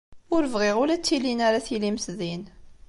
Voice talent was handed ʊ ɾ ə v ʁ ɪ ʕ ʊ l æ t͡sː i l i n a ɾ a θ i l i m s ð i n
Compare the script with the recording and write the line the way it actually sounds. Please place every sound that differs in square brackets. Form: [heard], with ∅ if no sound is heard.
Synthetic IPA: ʊ ɾ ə v ʁ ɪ [ʁ] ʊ l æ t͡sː i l i n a ɾ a θ i l i m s ð i n